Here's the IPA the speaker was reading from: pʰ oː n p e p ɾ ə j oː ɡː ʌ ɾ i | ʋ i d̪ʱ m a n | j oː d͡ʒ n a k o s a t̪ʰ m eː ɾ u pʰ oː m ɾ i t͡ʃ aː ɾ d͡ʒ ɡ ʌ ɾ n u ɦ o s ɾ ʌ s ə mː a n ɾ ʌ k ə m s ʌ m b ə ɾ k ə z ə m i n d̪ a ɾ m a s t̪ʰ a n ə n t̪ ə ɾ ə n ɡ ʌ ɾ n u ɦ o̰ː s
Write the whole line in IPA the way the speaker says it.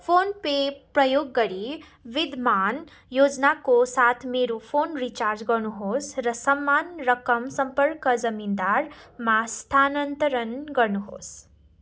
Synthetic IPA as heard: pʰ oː n p e p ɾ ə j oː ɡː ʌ ɾ i | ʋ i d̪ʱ m a n | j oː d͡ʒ n a k o s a t̪ʰ m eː ɾ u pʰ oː n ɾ i t͡ʃ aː ɾ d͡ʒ ɡ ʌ ɾ n u ɦ o s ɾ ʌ s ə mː a n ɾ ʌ k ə m s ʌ m p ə ɾ k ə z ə m i n d̪ a ɾ m a s t̪ʰ a n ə n t̪ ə ɾ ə n ɡ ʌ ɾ n u ɦ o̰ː s